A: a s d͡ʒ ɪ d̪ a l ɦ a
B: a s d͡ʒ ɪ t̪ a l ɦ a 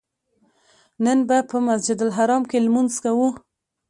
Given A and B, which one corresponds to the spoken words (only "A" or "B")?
A